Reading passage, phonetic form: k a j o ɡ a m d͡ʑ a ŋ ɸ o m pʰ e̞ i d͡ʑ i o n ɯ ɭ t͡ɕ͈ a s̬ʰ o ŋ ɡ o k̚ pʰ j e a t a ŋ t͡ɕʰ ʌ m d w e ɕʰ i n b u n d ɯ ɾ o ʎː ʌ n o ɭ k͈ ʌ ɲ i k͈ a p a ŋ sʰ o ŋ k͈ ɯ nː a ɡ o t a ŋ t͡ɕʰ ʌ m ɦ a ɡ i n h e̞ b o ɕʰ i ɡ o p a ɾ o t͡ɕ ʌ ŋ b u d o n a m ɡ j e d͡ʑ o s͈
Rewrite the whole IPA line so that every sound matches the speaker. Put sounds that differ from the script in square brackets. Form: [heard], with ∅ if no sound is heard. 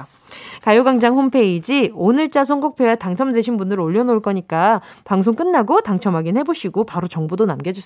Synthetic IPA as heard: k a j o ɡ a [ŋ] d͡ʑ a ŋ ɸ o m pʰ e̞ i d͡ʑ i o n ɯ ɭ t͡ɕ͈ a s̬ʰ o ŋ ɡ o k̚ pʰ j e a t a ŋ t͡ɕʰ ʌ m d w e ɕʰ i n b u n d ɯ ɾ o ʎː ʌ n o ɭ k͈ ʌ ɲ i k͈ a p a ŋ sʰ o ŋ k͈ ɯ nː a ɡ o t a ŋ t͡ɕʰ ʌ m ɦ a ɡ i n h e̞ b o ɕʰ i ɡ o p a ɾ o t͡ɕ ʌ ŋ b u d o n a m ɡ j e d͡ʑ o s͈